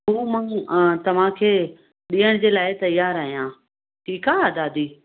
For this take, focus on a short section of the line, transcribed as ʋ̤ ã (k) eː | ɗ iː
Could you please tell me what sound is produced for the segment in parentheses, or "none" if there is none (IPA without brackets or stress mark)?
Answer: kʰ